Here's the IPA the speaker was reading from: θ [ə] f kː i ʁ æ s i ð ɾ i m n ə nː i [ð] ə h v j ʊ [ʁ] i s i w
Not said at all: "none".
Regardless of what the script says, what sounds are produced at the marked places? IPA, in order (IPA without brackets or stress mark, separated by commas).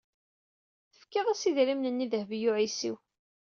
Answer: ə, ð, ʕ